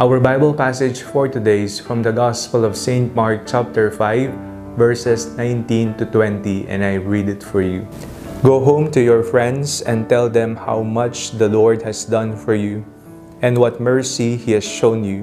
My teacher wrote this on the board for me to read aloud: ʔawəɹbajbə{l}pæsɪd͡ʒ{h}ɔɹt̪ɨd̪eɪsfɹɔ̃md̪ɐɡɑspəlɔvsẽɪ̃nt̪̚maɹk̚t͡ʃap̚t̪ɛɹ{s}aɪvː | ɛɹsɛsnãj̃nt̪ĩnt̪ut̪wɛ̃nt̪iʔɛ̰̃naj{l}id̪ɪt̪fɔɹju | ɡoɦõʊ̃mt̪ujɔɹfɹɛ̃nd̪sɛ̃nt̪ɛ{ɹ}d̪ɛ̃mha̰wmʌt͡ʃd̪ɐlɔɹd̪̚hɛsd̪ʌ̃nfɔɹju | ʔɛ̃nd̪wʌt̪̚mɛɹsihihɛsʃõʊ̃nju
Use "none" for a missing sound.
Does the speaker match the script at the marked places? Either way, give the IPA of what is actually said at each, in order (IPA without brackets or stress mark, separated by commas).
l, f, f, ɹ, l